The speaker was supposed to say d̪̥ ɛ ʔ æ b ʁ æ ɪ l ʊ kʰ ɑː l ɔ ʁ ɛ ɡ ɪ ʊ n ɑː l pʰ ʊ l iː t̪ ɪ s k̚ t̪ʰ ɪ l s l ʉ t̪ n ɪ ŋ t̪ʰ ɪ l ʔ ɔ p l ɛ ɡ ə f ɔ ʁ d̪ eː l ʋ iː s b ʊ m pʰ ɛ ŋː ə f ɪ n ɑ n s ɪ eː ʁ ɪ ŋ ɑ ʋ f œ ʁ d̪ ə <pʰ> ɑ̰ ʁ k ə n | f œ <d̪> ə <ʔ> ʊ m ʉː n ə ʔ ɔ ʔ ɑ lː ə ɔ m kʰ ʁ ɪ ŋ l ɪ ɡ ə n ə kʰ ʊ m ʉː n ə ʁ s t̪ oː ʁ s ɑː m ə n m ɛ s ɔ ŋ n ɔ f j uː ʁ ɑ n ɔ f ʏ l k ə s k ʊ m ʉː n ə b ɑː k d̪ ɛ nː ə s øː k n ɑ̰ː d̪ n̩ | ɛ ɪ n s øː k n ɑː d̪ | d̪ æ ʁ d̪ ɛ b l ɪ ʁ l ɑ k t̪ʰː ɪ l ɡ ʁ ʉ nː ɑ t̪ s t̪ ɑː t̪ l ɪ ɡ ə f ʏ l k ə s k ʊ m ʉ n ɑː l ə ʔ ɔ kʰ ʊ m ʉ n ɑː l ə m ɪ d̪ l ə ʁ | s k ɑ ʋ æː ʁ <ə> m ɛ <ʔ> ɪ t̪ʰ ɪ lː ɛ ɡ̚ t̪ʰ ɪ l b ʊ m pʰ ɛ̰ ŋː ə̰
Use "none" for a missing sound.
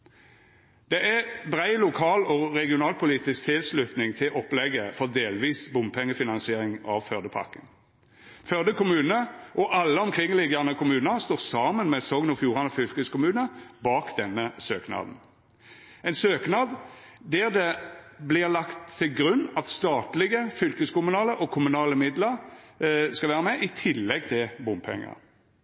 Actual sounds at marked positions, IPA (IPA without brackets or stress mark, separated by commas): pʰ, d̪, k, ə, ʔ